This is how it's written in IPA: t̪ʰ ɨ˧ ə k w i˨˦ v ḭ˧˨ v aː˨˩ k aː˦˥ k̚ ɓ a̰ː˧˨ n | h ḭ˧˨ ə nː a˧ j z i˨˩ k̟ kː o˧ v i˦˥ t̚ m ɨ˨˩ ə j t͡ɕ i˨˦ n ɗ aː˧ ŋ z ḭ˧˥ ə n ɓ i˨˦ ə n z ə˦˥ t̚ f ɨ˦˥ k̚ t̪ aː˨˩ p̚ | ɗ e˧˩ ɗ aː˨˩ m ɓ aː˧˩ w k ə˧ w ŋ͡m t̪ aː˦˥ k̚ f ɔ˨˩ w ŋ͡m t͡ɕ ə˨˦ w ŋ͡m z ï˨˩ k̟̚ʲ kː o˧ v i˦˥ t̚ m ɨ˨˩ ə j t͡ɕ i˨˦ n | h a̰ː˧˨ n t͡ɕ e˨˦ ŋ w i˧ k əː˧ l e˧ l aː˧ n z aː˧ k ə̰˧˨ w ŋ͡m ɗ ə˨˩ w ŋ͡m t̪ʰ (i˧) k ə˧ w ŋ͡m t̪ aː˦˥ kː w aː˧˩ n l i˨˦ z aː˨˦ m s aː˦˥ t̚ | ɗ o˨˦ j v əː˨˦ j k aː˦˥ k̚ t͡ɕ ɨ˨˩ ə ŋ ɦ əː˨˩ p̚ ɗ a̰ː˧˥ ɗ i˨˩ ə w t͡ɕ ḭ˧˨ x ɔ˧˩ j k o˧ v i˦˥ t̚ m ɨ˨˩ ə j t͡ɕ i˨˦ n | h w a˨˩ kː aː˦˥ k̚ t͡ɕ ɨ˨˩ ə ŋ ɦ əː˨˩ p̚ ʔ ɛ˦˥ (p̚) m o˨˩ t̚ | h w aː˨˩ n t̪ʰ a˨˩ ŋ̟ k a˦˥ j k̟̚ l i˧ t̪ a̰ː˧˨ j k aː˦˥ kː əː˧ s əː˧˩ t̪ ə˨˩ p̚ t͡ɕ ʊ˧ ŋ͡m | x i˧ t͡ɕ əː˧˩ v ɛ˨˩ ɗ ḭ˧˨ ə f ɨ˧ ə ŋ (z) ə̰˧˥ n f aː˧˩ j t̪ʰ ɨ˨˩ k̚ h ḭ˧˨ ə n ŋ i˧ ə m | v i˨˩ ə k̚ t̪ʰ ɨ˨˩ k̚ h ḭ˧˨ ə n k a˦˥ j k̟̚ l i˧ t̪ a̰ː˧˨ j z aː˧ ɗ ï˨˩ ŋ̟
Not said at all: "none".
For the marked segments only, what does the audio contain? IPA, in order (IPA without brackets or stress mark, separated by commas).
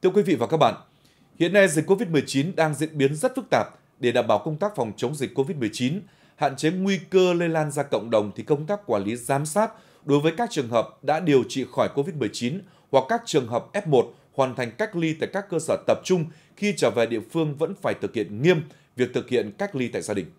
i˨˩, p̚, v